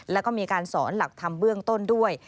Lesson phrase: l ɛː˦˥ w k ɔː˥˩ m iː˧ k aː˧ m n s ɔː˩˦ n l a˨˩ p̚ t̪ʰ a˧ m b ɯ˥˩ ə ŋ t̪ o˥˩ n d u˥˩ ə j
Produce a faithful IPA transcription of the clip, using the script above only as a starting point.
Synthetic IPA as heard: l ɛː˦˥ w k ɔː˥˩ m iː˧ k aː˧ n s ɔː˩˦ n l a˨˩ k̚ t̪ʰ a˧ m b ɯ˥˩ ə ŋ t̪ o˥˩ n d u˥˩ ə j